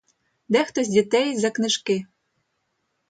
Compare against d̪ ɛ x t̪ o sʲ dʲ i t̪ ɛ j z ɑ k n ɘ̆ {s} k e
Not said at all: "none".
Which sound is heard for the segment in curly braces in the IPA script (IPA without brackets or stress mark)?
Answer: ʃ